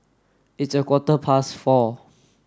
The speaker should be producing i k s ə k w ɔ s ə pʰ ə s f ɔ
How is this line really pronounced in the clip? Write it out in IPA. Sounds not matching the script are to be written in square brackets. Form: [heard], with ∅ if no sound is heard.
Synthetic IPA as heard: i [t] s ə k w ɔ [t] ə pʰ [a] s f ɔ